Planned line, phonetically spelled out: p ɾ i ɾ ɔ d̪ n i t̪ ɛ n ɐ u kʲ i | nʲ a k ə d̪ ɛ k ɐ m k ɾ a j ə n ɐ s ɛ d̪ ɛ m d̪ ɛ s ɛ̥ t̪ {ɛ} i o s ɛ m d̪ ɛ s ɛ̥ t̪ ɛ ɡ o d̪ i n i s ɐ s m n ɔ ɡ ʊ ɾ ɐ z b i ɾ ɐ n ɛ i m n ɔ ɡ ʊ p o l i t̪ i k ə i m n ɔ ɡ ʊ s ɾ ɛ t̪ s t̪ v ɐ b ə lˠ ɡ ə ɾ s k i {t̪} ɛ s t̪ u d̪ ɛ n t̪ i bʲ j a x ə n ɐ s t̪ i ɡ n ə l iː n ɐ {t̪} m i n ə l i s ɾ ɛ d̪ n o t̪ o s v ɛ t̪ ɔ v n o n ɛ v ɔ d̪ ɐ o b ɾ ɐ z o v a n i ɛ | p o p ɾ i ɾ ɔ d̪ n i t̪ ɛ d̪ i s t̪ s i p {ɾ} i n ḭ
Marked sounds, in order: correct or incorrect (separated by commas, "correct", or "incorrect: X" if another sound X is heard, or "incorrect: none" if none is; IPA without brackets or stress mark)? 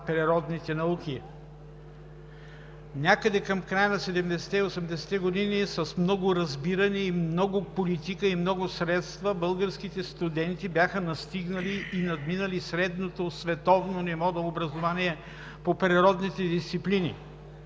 correct, correct, incorrect: d̪, incorrect: l